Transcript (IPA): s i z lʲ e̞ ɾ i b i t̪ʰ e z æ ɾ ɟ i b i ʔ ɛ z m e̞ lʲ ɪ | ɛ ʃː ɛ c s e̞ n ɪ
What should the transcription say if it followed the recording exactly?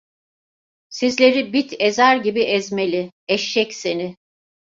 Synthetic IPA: s i z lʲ e̞ ɾ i b i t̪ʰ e z æ ɾ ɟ i b i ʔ ɛ z m e̞ lʲ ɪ | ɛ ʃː ɛ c s e̞ n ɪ